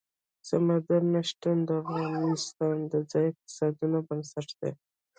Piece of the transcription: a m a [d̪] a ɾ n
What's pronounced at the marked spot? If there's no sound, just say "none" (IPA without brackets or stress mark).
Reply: d̪